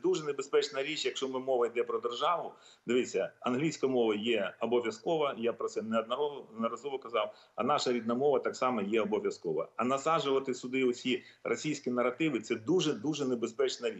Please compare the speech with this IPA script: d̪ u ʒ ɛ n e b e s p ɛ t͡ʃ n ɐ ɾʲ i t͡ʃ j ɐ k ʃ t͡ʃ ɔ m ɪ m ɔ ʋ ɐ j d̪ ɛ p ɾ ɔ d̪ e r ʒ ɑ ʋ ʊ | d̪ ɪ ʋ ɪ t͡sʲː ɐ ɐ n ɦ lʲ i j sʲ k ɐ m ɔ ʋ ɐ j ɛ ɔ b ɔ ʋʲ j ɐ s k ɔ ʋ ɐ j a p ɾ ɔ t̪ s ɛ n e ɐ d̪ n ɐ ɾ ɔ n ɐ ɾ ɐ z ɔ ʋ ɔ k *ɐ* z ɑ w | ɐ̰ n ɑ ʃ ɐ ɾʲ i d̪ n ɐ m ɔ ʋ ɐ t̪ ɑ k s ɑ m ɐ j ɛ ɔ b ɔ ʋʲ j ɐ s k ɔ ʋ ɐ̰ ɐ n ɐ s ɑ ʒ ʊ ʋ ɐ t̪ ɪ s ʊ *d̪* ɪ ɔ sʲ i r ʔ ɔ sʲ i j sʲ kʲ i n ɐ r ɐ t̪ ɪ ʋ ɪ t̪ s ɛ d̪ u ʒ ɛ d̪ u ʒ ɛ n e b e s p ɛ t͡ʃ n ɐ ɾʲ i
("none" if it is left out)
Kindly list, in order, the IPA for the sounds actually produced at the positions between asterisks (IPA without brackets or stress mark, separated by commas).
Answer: ɐ, d̪